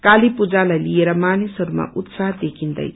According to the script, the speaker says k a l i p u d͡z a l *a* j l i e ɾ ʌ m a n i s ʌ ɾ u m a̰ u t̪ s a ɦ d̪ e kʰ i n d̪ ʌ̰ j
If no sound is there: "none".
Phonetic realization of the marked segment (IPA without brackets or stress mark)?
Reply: a